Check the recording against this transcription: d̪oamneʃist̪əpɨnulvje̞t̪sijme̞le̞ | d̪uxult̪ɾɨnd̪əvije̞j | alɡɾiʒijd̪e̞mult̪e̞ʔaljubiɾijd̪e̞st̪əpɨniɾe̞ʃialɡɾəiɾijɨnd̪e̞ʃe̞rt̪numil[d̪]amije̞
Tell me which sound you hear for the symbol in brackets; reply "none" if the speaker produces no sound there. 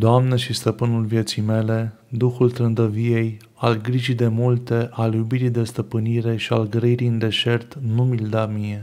d̪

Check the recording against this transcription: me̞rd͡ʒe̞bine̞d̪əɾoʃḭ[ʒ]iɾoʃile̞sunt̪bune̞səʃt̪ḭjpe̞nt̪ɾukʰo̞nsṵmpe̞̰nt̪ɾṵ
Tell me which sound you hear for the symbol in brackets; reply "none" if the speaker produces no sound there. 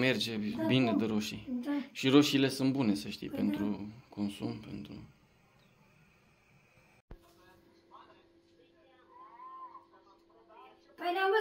ʃ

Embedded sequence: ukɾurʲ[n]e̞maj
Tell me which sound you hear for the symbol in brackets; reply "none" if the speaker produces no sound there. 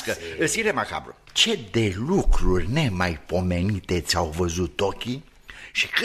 n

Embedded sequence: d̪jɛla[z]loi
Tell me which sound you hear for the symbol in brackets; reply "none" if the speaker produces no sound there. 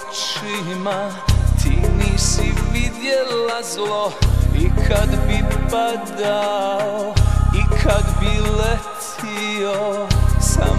z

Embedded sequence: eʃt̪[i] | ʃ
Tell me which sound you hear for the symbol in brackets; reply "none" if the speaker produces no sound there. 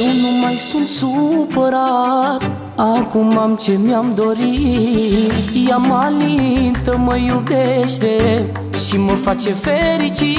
e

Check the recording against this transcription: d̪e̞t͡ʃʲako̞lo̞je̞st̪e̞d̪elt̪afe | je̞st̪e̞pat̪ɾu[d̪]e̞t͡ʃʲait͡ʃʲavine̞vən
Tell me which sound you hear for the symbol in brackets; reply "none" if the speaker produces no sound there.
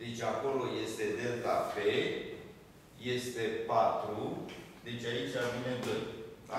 d̪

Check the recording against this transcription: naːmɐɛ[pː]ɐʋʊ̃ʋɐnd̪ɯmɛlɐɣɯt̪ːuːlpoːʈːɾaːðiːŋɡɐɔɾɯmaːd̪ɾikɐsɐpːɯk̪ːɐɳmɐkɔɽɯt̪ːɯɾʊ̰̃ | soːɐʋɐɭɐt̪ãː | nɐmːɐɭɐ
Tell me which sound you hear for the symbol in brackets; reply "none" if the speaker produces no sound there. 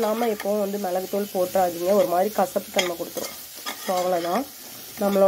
pː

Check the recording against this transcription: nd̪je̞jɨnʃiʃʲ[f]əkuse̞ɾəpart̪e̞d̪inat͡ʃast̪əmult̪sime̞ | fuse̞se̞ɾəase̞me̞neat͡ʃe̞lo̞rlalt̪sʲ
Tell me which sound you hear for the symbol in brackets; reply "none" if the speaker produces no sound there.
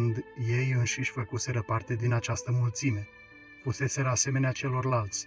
f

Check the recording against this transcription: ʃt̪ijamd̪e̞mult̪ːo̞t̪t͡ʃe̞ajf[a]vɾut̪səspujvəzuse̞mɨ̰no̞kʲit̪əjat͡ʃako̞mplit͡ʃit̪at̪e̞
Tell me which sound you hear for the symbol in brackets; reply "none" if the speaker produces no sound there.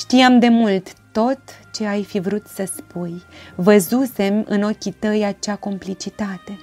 i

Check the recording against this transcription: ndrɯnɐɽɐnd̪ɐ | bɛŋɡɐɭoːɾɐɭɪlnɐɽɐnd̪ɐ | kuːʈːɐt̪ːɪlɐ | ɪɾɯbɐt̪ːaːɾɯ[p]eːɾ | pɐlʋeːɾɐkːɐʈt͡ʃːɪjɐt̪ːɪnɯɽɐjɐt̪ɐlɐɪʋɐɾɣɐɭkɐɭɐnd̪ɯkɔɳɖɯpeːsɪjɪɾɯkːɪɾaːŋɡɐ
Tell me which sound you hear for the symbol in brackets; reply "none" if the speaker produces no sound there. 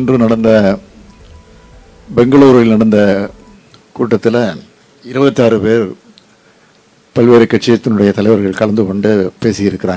p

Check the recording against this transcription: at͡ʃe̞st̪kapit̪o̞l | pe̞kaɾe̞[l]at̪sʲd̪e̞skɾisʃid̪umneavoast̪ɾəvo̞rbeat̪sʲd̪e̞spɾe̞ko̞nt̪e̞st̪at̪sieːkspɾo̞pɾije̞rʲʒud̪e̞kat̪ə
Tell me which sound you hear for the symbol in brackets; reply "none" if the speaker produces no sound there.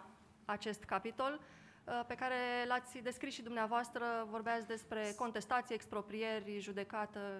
l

